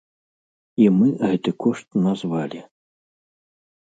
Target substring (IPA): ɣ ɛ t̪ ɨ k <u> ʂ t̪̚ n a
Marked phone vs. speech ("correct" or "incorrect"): incorrect